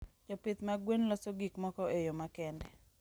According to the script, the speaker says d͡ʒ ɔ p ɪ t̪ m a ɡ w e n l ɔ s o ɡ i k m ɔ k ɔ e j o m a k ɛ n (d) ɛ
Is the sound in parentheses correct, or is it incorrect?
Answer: correct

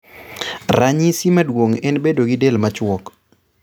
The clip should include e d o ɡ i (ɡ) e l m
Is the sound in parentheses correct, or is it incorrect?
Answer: incorrect: d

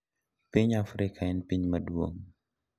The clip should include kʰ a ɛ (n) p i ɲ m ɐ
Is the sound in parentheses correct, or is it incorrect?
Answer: correct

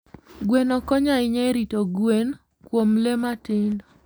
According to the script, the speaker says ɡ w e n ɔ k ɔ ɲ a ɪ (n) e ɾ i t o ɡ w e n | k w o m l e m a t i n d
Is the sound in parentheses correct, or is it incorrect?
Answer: incorrect: ɲ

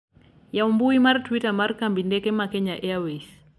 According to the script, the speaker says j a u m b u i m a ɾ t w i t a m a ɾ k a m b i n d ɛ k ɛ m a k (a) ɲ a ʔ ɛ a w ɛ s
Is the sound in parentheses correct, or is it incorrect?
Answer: incorrect: ɛ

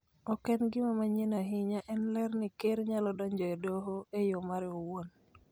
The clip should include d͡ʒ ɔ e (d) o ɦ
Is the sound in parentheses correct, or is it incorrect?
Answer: correct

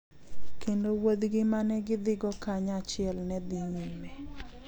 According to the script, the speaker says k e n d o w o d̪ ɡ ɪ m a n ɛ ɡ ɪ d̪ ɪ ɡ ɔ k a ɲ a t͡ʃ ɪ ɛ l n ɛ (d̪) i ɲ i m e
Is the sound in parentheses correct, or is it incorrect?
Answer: correct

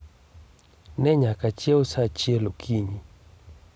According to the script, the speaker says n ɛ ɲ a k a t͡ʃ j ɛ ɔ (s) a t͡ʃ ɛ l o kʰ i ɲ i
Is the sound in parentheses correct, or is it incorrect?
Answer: correct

